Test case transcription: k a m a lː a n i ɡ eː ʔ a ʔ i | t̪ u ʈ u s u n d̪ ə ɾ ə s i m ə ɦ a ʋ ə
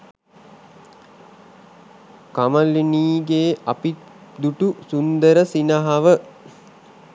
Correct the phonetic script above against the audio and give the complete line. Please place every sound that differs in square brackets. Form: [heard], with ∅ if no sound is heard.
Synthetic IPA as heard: k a m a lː [i] n [iː] ɡ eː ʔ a [p] i | [d̪] u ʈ u s u n d̪ ə ɾ ə s i [n] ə ɦ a ʋ ə